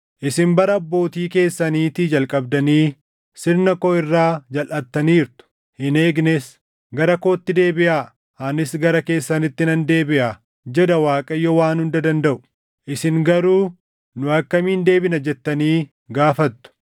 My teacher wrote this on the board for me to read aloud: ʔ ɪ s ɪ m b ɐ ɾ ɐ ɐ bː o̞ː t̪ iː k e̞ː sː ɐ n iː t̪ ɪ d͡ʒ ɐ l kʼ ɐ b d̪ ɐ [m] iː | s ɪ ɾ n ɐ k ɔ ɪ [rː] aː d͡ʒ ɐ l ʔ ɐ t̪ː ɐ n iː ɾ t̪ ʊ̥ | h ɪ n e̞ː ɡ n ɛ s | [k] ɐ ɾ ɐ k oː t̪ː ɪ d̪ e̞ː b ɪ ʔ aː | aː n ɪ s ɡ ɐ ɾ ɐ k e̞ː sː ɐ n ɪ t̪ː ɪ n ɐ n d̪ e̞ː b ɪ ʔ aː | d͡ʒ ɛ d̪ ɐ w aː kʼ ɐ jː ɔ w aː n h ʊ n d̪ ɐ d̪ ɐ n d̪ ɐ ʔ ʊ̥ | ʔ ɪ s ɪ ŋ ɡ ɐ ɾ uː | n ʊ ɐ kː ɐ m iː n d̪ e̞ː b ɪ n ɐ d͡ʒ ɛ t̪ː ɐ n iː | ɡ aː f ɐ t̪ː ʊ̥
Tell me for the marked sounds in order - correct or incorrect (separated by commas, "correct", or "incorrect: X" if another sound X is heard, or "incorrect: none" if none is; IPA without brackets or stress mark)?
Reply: incorrect: n, correct, incorrect: ɡ